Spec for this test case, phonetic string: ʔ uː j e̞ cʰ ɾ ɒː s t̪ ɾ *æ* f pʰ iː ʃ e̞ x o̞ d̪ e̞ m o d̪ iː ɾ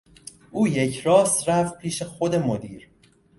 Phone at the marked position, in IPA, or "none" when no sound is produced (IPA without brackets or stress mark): æ